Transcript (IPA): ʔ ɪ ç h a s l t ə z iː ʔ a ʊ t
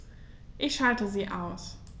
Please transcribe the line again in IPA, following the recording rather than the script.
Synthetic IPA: ʔ ɪ ç ʃ a l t ə z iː ʔ a ʊ s

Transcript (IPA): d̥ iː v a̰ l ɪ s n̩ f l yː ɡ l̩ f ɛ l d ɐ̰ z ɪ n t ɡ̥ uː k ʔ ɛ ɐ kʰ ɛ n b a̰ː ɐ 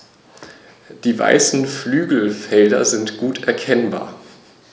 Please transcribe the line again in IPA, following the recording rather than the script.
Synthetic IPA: d̥ iː v a̰ ɪ s n̩ f l yː ɡ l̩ f ɛ l d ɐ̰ z ɪ n t ɡ̥ uː t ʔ ɛ ɐ kʰ ɛ n b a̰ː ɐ

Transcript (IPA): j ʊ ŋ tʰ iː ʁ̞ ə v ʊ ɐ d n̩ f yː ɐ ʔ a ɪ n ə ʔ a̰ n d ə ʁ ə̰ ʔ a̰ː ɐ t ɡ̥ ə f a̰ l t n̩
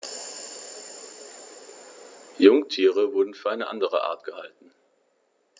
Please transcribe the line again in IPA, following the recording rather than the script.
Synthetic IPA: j ʊ ŋ tʰ iː ʁ̞ ə v ʊ ɐ d n̩ f yː ɐ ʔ a ɪ n ə ʔ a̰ n d ə ʁ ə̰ ʔ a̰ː ɐ t ɡ̥ ə h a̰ l t n̩

